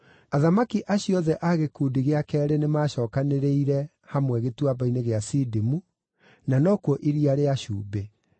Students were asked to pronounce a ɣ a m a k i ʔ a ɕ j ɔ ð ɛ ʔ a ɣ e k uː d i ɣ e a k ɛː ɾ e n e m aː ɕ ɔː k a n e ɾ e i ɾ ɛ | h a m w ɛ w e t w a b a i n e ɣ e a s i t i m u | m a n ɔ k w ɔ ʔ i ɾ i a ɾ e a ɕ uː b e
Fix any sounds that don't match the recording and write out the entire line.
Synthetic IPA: a ð a m a k i ʔ a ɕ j ɔ ð ɛ ʔ a ɣ e k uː d i ɣ e a k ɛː ɾ e n e m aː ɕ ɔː k a n e ɾ e i ɾ ɛ | h a m w ɛ ɣ e t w a b a i n e ɣ e a s i d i m u | n a n ɔ k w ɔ ʔ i ɾ i a ɾ e a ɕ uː b e

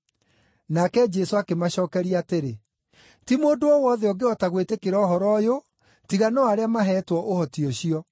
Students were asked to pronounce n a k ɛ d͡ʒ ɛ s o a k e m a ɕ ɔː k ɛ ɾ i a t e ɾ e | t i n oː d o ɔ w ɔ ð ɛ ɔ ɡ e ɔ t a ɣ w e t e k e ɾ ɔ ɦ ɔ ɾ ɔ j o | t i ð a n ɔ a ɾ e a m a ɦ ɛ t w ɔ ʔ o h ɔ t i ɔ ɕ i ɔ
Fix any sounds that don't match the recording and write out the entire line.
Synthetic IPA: n a k ɛ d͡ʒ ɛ s o a k e m a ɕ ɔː k ɛ ɾ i a t e ɾ e | t i m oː d o ɔ w ɔ ð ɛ ɔ ɡ e ɔ t a ɣ w e t e k e ɾ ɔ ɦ ɔ ɾ ɔ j o | t i ɣ a n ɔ a ɾ e a m a ɦ ɛ t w ɔ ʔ o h ɔ t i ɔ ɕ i ɔ

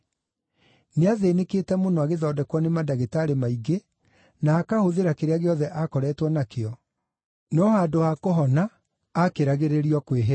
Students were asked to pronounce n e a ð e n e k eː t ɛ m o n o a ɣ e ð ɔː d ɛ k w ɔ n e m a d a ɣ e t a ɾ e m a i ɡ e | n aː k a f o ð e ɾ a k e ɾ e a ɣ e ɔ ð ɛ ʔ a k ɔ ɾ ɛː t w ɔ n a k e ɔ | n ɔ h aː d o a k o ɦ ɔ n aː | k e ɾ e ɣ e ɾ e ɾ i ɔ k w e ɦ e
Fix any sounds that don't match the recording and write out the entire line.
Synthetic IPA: n e a ð e n e k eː t ɛ m o n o a ɣ e ð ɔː d ɛ k w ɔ n e m a d a ɣ e t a ɾ e m a i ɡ e | n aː k a h o ð e ɾ a k e ɾ e a ɣ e ɔ ð ɛ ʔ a k ɔ ɾ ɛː t w ɔ n a k e ɔ | n ɔ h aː d o a k o ɦ ɔ n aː | k e ɾ a ɣ e ɾ e ɾ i ɔ k w e ɦ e

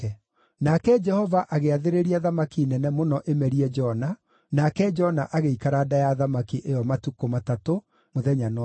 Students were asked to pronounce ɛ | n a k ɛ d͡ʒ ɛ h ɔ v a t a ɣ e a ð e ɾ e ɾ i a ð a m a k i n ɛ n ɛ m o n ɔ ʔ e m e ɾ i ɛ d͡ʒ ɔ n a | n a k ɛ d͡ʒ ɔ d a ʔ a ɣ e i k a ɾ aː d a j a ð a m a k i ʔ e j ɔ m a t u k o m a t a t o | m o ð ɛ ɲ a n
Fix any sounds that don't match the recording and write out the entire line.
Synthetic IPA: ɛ | n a k ɛ d͡ʒ ɛ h ɔ v a ʔ a ɣ e a ð e ɾ e ɾ i a ð a m a k i n ɛ n ɛ m o n ɔ ʔ e m ɛ ɾ i ɛ d͡ʒ ɔ n a | n a k ɛ d͡ʒ ɔ n a ʔ a ɣ e i k a ɾ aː d a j a ð a m a k i ʔ e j ɔ m a t u k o m a t a t o | m o ð ɛ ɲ a n

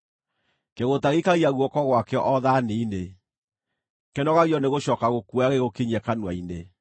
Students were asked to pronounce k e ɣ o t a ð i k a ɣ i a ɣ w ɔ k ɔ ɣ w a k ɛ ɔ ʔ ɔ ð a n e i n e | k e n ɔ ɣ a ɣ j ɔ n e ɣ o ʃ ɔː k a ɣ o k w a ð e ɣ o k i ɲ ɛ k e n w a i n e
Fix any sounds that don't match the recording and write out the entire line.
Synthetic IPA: k e ɣ o t a ɣ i k a ɣ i a ɣ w ɔ k ɔ ɣ w a k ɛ ɔ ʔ ɔ ð a n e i n e | k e n ɔ ɣ a ɣ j ɔ n e ɣ o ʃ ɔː k a ɣ o k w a ɣ e ɣ o k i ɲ ɛ k a n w a i n e

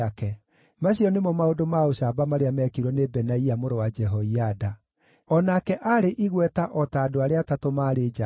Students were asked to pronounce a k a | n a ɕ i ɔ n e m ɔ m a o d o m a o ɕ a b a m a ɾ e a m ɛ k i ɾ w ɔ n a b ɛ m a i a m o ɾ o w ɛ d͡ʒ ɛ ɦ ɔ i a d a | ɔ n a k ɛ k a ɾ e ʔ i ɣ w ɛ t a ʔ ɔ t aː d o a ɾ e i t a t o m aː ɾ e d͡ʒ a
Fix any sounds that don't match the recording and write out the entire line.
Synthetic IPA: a k ɛ | m a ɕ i ɔ n e m ɔ m a o d o m a o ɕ a b a m a ɾ e a m ɛ k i ɾ w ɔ n e b ɛ n a i a m o ɾ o w a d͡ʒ ɛ ɦ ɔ i a d a | ɔ n a k ɛ ʔ a ɾ e ʔ i ɣ w ɛ t a ʔ ɔ t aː d o a ɾ e a t a t o m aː ɾ e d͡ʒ a

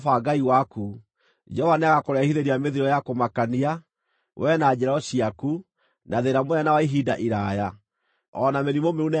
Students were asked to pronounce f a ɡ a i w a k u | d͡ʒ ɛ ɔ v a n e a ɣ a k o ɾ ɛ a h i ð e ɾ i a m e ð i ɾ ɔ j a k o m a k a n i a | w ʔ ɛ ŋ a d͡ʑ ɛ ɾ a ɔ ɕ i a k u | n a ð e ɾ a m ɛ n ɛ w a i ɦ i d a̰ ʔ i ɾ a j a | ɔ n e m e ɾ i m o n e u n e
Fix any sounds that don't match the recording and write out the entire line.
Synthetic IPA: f a ɡ a i w a k u | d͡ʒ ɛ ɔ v a n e a ɣ a k o ɾ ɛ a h i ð e ɾ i a m e ð i ɾ ɔ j a k o m a k a n i a | w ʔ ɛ n a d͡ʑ ɛ ɾ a ɔ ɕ i a k u | n a ð e ɾ a m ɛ n a w a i ɦ i d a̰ ʔ i ɾ a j a | ɔ n a m e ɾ i m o m e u n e

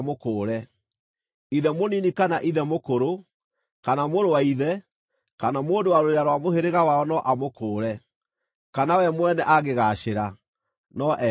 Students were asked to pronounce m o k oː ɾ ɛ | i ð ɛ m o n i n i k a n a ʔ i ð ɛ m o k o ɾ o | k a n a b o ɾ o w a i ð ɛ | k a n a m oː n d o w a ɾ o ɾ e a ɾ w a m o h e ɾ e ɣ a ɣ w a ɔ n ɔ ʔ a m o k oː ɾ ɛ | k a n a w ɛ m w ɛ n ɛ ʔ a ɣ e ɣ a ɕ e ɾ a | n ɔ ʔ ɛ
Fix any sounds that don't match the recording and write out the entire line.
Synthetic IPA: m o k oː ɾ ɛ | i ð ɛ m o n i n i k a n a ʔ i ð ɛ m o k o ɾ o | k a n a m o ɾ o w a i ð ɛ | k a n a m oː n d o w a ɾ o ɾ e a ɾ w a m o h e ɾ e ɣ a w a ɔ n ɔ ʔ a m o k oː ɾ ɛ | k a n a w ɛ m w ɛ n ɛ ʔ a ɣ e ɣ a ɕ e ɾ a | n ɔ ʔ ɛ

